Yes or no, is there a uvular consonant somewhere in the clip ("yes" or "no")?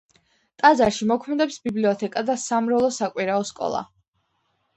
no